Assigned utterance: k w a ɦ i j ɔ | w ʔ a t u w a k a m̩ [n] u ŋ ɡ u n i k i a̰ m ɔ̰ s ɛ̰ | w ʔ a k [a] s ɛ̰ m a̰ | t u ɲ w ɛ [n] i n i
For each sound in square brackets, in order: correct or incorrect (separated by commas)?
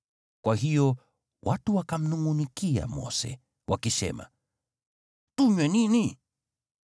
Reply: correct, incorrect, correct